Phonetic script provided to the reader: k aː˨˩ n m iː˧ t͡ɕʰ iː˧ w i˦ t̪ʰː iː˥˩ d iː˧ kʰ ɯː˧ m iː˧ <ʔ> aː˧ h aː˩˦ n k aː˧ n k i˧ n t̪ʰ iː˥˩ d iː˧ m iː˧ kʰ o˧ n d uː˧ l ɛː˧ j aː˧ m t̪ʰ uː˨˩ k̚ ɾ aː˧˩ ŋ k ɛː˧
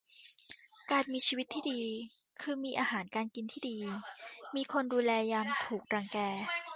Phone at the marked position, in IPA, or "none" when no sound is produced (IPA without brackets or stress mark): ʔ